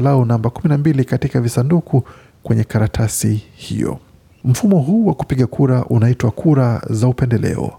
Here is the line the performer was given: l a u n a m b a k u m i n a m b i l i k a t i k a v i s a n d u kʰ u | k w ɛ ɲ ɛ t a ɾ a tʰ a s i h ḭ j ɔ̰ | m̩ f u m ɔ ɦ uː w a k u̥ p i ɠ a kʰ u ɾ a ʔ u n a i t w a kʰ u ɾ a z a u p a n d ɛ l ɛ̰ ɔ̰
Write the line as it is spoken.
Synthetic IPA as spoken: l a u n a m b a k u m i n a m b i l i k a t i k a v i s a n d u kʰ u | k w ɛ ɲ ɛ k a ɾ a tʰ a s i h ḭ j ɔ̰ | m̩ f u m ɔ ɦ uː w a k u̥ p i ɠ a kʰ u ɾ a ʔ u n a i t w a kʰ u ɾ a z a u p ɛ n d ɛ l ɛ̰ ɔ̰